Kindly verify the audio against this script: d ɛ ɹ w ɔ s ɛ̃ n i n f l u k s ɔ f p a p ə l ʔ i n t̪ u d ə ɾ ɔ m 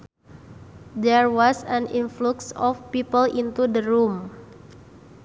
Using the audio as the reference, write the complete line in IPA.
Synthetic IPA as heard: d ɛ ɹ w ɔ s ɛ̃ n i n f l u k s ɔ f p i p ə l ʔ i n t̪ u d ə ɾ u m